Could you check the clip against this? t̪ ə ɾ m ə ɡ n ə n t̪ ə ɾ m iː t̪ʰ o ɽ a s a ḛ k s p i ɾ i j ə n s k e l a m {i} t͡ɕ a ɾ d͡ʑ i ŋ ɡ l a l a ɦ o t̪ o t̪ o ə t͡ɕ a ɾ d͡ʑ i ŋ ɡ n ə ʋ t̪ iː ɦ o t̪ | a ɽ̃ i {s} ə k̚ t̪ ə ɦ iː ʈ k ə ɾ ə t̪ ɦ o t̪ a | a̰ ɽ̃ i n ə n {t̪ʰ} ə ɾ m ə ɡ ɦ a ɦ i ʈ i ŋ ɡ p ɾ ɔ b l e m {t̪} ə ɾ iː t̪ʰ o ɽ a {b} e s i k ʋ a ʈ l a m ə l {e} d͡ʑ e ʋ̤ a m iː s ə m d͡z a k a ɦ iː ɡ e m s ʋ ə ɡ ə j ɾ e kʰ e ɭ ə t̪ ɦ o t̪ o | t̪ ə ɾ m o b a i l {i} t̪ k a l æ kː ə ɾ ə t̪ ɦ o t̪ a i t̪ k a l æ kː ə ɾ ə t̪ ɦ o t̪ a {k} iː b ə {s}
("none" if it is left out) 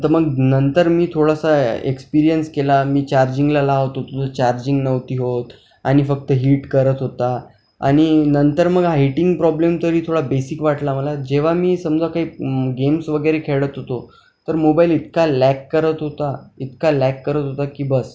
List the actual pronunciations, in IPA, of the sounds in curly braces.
iː, f, t̪, t̪, b, a, i, k, s

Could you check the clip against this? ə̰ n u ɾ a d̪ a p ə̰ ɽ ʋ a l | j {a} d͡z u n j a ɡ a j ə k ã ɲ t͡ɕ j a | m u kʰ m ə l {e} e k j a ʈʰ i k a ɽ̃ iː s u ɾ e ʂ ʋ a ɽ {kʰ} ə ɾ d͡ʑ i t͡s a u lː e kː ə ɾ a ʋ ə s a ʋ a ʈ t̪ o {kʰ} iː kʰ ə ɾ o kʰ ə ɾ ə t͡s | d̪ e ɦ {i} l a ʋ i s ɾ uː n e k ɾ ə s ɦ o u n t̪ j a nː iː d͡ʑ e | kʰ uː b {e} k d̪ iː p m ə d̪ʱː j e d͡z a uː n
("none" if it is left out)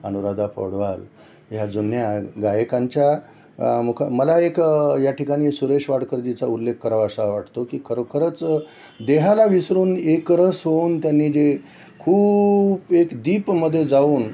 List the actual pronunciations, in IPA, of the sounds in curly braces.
a, a, k, k, a, e

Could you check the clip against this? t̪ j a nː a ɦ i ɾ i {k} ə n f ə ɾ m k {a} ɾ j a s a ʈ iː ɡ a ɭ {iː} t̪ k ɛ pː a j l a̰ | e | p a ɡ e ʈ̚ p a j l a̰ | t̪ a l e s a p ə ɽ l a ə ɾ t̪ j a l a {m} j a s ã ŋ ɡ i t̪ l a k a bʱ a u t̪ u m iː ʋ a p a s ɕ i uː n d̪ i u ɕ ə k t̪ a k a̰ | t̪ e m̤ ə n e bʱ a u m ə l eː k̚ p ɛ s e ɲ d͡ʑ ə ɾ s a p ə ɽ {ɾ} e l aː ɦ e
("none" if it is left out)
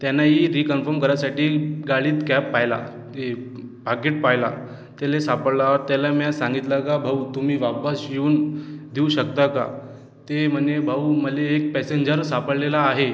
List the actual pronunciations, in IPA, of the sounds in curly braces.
k, ə, iː, m, l

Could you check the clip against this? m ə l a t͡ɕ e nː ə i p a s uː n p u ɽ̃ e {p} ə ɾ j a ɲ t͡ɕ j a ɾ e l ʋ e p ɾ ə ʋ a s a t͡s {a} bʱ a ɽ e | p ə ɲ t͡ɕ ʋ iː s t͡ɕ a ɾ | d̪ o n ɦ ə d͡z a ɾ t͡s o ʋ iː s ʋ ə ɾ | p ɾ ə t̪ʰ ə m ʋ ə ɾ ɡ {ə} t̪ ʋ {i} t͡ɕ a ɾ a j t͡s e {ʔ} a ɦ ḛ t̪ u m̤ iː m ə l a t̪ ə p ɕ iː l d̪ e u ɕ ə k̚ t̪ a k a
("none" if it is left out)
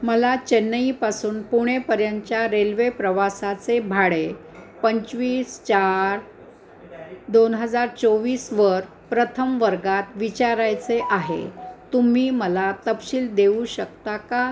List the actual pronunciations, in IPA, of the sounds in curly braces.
p, e, a, i, ʔ

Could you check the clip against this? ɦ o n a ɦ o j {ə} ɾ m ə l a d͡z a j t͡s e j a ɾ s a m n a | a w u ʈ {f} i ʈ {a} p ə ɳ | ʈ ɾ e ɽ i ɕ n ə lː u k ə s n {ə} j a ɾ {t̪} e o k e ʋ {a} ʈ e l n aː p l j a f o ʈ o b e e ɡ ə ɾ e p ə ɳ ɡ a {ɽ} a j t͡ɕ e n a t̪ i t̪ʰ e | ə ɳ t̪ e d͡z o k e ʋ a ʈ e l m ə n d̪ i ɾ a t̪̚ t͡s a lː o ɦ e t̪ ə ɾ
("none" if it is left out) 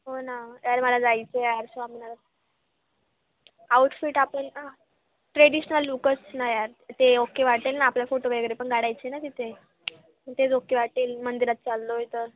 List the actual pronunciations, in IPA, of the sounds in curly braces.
a, f, a, a, t̪, a, ɽ

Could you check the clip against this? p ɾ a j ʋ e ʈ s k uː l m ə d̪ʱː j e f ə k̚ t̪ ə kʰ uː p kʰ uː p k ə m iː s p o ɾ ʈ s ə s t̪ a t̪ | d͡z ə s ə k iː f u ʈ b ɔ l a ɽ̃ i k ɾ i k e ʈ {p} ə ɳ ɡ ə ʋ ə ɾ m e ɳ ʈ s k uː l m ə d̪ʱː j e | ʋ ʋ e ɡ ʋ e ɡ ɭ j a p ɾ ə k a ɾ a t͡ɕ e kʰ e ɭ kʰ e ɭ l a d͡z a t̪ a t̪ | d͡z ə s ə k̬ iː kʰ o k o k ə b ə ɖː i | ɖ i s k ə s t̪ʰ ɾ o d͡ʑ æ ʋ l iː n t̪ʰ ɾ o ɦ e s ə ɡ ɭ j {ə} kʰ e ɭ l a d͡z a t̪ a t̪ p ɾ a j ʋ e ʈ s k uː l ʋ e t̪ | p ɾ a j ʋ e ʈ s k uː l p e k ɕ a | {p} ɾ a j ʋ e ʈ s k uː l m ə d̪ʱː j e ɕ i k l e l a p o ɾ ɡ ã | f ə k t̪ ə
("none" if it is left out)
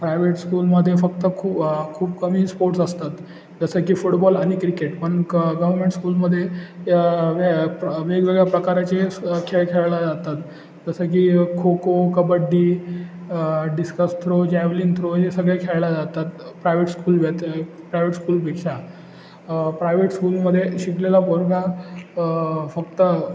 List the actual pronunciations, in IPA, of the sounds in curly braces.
p, a, p

